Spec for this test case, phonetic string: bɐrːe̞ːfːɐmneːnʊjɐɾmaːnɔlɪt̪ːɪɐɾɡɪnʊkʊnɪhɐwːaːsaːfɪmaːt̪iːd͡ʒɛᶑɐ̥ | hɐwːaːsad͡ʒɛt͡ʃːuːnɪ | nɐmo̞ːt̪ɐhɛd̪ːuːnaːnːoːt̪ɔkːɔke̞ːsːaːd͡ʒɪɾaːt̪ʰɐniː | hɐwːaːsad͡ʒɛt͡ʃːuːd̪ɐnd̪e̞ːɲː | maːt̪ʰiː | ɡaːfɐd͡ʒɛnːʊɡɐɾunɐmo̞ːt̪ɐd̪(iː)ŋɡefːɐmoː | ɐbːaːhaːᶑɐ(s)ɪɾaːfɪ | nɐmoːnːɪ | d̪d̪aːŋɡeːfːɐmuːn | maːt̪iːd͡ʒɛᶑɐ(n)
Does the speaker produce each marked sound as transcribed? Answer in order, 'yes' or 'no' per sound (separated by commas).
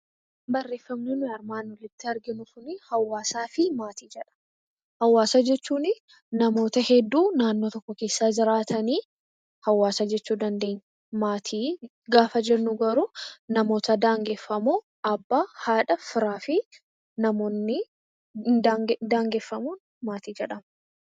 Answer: no, no, no